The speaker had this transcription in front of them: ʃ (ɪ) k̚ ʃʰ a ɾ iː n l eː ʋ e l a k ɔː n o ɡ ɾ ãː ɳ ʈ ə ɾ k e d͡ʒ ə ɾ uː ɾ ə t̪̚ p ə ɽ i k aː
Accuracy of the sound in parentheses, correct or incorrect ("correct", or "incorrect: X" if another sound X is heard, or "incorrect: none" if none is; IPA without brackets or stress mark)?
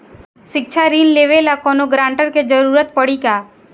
correct